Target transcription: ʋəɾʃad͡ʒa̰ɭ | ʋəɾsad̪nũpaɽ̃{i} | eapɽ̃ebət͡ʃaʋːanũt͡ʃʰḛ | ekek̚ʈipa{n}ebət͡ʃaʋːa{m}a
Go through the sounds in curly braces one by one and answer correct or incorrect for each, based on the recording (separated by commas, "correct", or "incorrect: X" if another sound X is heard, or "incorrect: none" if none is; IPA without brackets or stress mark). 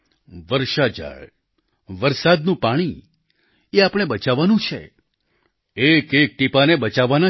correct, correct, incorrect: n